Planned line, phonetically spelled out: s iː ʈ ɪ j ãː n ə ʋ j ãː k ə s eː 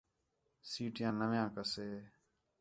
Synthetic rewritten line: s iː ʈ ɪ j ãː n ə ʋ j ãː k ə s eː